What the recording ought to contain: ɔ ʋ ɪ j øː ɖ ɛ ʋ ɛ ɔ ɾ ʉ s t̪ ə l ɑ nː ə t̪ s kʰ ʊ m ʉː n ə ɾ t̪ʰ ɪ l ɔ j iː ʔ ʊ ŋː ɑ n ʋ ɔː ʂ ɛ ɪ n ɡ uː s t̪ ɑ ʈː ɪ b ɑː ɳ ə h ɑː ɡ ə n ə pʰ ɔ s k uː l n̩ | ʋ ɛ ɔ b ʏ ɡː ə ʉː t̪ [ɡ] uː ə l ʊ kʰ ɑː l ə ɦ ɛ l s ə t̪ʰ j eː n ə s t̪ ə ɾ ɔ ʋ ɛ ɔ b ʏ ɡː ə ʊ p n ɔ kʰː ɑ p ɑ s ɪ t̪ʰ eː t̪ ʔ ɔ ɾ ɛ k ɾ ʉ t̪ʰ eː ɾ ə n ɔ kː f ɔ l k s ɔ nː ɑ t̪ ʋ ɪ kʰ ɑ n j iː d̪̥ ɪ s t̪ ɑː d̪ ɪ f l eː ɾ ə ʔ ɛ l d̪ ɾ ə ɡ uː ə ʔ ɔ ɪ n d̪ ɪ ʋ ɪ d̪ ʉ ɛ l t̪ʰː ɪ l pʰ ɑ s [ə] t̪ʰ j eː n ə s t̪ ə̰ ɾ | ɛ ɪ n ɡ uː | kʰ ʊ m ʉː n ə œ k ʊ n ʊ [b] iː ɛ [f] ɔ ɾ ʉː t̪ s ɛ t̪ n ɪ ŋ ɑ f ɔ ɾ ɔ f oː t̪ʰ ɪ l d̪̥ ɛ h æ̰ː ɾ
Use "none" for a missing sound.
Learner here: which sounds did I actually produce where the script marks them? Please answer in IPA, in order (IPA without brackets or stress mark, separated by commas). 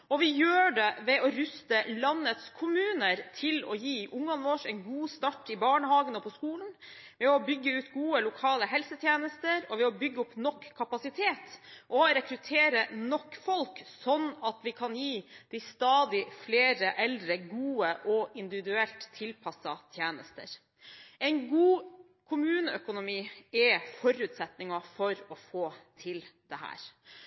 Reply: ɡ, ɑ, m, f